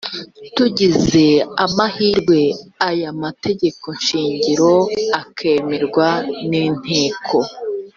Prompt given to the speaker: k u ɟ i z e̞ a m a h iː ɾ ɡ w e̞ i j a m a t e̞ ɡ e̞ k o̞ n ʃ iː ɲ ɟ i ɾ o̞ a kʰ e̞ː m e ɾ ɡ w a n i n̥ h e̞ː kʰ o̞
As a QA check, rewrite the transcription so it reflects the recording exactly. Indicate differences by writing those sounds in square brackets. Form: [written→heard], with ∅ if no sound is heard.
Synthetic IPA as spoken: [k→t] u ɟ i z e̞ a m a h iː ɾ ɡ w e̞ [i→a] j a m a t e̞ [ɡ→ɟ] e̞ k o̞ n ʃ iː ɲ ɟ i ɾ o̞ a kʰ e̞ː m e ɾ ɡ w a n i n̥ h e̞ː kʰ o̞